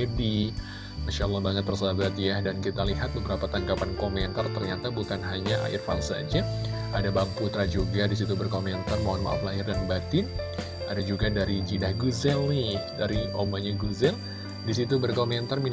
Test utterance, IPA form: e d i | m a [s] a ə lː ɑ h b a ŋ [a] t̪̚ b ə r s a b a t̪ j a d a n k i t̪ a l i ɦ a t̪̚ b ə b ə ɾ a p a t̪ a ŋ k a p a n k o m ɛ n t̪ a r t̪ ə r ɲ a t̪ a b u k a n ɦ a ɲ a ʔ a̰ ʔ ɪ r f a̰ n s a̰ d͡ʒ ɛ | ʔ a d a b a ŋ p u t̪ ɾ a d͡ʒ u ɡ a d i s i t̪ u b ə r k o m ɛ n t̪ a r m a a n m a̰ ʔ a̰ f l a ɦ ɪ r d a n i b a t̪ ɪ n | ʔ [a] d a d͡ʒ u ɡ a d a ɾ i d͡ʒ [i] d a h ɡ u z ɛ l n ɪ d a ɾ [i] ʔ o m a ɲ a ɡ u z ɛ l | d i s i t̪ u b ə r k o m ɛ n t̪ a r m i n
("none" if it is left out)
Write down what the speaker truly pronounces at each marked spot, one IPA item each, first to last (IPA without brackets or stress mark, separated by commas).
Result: ʃ, ə, a, i, i